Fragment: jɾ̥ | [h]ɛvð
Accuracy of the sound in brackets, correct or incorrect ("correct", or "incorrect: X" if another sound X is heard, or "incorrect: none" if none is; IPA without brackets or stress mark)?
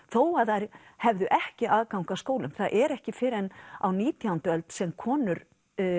correct